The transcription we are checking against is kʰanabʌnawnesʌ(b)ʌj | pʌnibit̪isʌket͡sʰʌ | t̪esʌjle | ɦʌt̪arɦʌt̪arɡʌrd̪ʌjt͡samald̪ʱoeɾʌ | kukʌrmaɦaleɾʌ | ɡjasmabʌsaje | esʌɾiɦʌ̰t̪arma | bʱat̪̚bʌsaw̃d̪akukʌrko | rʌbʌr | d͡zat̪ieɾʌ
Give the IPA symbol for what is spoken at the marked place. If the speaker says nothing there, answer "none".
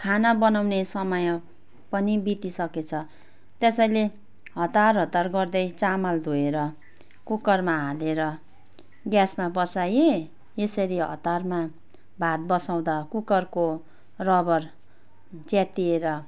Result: m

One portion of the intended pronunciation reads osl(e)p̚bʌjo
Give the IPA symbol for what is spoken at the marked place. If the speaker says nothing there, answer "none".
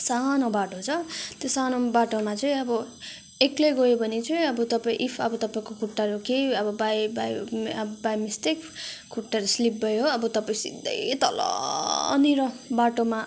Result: i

